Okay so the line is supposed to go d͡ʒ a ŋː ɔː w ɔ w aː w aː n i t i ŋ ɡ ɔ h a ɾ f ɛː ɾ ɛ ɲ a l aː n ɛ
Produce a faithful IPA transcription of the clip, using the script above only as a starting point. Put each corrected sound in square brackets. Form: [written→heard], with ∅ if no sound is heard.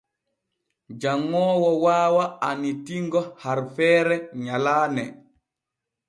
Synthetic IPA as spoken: d͡ʒ a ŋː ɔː w ɔ w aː w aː n i t i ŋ ɡ ɔ h a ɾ f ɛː ɾ ɛ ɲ a l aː n ɛ